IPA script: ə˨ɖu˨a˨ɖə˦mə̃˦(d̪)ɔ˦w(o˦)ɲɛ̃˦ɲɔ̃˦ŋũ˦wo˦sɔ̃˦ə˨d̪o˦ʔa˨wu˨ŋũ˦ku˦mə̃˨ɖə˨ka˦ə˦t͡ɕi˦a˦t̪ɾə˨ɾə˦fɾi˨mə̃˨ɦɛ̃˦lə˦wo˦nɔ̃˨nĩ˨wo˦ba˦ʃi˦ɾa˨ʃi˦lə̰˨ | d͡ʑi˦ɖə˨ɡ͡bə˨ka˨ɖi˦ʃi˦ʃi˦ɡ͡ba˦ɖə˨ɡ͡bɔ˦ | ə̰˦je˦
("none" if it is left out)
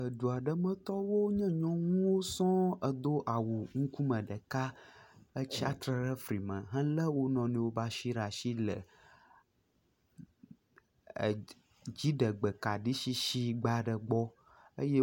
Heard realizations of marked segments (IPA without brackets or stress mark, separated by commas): t̪, o˦